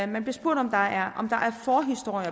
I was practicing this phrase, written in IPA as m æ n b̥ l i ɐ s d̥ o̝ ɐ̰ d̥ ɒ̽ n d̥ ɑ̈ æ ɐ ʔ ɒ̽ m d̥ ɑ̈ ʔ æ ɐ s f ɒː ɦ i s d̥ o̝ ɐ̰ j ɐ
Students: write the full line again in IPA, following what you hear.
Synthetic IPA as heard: m æ n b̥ l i ɐ s b̥ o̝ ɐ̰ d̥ ɒ̽ m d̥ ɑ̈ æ ɐ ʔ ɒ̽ m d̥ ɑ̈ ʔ æ ɐ f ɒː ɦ i s d̥ o̝ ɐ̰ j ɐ